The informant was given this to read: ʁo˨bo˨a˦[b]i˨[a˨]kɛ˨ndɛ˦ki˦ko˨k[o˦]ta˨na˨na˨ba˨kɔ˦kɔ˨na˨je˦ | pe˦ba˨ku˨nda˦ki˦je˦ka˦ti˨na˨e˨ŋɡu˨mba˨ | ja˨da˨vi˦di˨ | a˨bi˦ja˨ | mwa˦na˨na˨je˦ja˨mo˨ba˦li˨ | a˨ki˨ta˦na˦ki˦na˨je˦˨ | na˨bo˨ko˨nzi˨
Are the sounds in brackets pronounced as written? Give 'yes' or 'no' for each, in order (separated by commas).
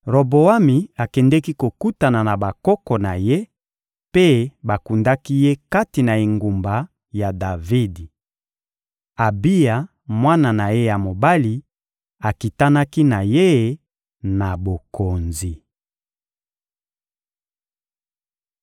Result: no, yes, no